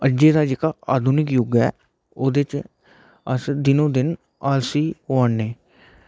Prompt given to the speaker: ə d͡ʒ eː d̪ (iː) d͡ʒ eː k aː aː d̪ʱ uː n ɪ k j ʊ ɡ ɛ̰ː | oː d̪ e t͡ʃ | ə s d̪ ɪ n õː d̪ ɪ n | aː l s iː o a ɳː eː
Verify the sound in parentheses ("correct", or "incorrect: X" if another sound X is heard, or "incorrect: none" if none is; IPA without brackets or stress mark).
incorrect: aː